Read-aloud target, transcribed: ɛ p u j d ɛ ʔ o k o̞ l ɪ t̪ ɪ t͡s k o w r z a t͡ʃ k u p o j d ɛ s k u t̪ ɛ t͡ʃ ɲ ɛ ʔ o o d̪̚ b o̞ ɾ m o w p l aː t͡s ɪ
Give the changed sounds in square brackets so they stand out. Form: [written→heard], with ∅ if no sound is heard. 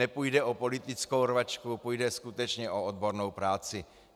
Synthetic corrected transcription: ɛ p u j d ɛ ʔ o [k→p] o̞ l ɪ t̪ ɪ t͡s k o w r [z→v] a t͡ʃ k u p [o→u] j d ɛ s k u t̪ ɛ t͡ʃ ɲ ɛ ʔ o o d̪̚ b o̞ ɾ [m→n] o w p [l→ɾ] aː t͡s ɪ